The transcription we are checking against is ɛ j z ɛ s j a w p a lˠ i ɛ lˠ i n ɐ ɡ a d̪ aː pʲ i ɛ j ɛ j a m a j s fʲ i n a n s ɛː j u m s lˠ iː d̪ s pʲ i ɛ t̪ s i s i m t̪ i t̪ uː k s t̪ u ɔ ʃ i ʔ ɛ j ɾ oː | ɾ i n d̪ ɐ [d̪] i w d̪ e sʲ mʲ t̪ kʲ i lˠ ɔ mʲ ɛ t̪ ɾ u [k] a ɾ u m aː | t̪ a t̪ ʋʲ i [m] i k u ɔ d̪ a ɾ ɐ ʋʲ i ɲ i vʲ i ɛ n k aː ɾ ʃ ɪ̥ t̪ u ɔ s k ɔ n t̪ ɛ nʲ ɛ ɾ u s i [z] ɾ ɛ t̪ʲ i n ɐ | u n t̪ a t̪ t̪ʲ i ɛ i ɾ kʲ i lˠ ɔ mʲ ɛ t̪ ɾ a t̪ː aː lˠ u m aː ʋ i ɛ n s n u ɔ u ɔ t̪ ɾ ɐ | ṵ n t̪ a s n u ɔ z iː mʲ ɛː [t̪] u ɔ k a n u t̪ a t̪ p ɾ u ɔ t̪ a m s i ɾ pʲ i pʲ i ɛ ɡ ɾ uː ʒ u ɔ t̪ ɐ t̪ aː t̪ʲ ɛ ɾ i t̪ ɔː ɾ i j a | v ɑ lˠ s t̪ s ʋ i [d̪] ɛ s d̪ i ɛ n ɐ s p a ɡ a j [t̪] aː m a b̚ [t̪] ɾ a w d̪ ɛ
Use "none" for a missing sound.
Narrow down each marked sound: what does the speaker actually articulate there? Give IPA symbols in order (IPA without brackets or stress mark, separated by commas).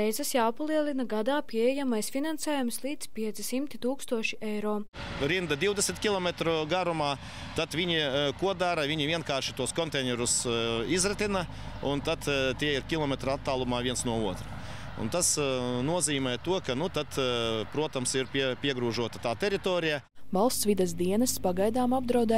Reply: d̪, ɡ, ɲ, z, t̪, d̪, d̪, d̪